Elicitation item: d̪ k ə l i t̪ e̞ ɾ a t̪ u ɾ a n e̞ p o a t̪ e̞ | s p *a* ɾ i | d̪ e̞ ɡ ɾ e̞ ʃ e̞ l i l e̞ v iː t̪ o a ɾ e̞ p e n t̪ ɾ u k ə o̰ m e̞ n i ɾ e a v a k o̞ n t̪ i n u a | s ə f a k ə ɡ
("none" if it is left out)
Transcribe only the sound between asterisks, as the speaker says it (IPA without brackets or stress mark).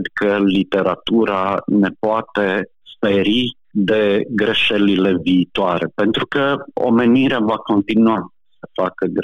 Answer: e